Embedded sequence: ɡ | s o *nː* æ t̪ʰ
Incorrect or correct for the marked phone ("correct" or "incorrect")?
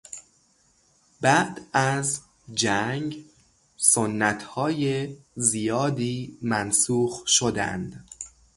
correct